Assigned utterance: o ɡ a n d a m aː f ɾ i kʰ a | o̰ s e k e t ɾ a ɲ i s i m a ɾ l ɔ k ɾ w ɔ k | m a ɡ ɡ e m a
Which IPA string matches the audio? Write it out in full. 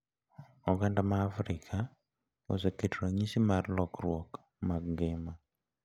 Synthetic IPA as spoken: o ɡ a n d a m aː f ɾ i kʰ a | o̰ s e k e t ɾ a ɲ i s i m a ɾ l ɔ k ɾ w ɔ k | m a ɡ ɡ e m a